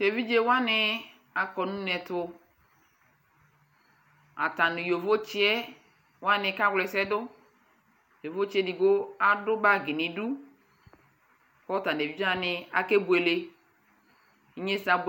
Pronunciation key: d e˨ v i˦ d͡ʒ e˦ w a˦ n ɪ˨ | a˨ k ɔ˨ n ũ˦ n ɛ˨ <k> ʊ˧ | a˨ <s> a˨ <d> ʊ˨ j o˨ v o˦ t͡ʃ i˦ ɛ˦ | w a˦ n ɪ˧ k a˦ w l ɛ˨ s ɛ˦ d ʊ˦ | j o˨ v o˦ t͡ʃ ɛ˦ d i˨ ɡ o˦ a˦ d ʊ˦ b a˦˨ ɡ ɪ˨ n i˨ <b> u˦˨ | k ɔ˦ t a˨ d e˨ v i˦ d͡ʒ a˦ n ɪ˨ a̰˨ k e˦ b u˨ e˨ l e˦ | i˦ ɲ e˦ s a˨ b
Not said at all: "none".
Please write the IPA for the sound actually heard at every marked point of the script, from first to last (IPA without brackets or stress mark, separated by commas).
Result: t, t, n, d